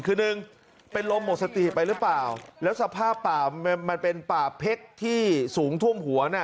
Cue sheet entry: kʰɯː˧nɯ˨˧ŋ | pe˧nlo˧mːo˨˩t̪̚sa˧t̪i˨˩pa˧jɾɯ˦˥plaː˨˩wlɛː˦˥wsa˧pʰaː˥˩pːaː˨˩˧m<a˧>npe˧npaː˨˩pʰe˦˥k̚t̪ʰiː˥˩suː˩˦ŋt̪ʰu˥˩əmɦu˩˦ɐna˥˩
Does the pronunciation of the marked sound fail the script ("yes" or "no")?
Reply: no